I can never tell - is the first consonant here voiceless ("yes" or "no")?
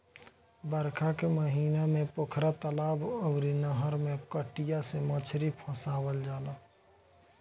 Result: no